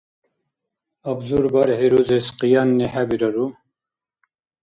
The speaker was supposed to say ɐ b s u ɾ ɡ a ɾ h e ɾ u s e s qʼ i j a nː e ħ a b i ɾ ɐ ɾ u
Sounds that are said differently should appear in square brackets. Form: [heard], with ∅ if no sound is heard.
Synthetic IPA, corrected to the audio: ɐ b [z] u ɾ [b] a ɾ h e ɾ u [z] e s [q] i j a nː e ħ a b i ɾ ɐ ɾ u